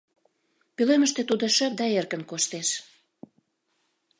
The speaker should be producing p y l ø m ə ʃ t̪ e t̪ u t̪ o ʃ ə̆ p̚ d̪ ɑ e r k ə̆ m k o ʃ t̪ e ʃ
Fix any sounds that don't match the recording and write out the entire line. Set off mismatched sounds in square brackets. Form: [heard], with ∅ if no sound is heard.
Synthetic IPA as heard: p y l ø m ə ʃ t̪ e t̪ u [d̪] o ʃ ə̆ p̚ d̪ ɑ e r k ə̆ [n] k o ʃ t̪ e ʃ